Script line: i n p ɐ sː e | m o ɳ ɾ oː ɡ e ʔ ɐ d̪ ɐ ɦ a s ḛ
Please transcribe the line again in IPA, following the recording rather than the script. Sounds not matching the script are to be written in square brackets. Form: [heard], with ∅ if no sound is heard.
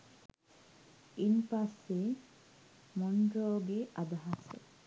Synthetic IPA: i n p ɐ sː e | m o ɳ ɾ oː ɡ e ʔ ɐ d̪ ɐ ɦ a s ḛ

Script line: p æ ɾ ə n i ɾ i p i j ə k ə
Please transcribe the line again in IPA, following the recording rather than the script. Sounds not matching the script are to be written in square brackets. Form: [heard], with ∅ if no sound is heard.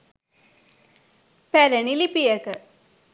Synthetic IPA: p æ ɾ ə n i [l] i p i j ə k ə

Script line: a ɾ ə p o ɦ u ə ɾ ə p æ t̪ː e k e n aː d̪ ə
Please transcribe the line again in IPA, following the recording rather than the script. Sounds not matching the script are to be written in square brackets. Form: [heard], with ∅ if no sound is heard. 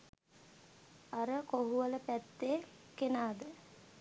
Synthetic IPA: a ɾ ə [k] o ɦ u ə [l] ə p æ t̪ː e k e n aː d̪ ə

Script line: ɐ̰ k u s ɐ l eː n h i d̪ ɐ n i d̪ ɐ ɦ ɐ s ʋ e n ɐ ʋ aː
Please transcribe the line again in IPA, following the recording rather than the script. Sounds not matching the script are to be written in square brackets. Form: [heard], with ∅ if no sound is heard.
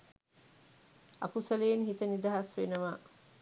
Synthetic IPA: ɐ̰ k u s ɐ l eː n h i [t̪] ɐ n i d̪ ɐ ɦ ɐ s ʋ e n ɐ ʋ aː

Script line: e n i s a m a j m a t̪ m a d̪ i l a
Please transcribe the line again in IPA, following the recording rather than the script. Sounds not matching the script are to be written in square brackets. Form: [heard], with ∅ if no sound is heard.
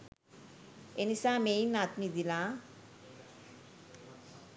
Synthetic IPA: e n i s a m [e] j [n] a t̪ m [i] d̪ i l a

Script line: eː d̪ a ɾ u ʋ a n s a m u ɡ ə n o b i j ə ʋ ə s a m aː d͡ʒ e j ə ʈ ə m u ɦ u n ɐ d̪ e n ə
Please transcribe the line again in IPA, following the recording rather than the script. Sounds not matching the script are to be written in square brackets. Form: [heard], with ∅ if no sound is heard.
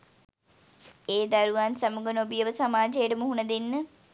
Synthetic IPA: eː d̪ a ɾ u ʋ a n s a m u ɡ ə n o b i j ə ʋ ə s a m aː d͡ʒ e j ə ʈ ə m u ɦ u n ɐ d̪ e [nː] ə

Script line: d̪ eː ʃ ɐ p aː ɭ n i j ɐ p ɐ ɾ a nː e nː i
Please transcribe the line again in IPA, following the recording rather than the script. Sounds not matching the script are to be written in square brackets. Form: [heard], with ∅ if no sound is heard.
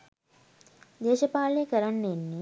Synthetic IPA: d̪ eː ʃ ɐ p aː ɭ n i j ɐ [k] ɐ ɾ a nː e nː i

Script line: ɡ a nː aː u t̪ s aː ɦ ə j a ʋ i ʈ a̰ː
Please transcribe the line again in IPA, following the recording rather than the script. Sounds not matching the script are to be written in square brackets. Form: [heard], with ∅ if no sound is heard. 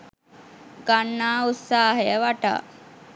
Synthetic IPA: ɡ a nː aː u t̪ s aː ɦ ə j [ə] ʋ [a] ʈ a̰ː

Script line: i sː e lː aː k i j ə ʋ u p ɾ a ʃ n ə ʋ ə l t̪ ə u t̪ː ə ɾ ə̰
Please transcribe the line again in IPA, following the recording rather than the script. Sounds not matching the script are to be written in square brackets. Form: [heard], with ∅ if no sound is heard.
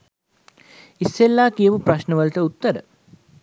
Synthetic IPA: i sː e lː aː k i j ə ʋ u p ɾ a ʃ n ə ʋ ə l t̪ ə u t̪ː ə ɾ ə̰

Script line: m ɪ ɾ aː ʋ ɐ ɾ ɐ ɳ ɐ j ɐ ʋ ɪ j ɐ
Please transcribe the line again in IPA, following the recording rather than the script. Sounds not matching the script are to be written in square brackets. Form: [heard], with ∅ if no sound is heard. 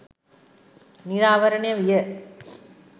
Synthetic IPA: [n] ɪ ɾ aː ʋ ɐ ɾ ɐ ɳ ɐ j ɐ ʋ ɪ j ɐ

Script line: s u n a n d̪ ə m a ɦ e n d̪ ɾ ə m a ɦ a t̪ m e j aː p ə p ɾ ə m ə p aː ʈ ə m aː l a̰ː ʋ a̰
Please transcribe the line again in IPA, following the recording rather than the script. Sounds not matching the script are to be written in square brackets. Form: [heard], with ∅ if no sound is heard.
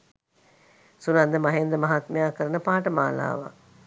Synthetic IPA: s u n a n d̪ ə m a ɦ e n d̪ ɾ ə m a ɦ a t̪ m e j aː [k] ə [∅] ɾ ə [n] ə p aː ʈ ə m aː l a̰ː ʋ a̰

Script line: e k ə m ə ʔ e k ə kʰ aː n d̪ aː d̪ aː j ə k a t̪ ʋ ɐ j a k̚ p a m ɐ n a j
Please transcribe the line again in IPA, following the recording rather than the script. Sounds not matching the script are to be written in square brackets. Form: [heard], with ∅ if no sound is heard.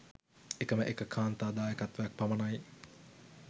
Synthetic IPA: e k ə m ə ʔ e k ə kʰ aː n [t̪] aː d̪ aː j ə k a t̪ ʋ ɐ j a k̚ p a m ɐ n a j

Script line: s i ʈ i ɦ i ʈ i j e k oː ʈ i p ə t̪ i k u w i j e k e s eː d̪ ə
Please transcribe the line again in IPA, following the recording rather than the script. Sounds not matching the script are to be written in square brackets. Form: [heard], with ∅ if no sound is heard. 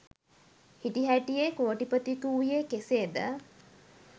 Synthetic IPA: [h] i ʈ i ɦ [æ] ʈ i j e k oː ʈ i p ə t̪ i k u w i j e k e s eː d̪ ə

